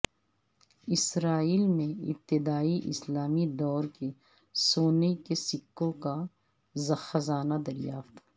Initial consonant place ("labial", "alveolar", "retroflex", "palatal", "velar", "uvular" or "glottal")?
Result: alveolar